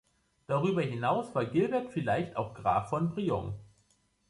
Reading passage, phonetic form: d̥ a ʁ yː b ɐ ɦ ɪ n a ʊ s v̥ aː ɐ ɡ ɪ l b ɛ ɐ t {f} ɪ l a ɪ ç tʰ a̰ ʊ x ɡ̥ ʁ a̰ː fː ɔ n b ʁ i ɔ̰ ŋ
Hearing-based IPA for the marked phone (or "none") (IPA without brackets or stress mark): f